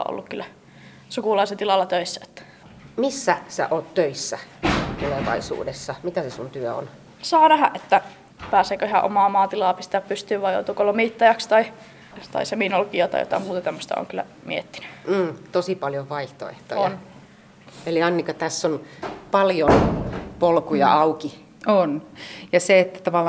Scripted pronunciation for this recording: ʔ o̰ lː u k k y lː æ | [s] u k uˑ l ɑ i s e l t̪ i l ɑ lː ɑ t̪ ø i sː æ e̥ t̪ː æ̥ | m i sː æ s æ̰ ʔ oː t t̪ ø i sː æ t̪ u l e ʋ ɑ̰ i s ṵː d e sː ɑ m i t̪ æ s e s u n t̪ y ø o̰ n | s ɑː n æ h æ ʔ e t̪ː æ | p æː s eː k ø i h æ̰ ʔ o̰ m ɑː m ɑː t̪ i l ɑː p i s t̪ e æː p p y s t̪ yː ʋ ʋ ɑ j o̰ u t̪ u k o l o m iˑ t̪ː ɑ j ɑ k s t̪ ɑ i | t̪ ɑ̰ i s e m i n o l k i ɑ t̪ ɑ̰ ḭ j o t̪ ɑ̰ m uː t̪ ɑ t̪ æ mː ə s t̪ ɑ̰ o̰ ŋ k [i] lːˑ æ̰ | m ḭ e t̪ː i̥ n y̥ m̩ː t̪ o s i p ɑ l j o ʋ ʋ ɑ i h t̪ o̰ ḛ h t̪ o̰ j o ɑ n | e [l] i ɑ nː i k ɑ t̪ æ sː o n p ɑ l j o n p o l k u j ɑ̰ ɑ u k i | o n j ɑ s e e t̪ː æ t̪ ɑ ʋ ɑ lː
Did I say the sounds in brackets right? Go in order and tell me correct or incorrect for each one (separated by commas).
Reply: correct, incorrect, correct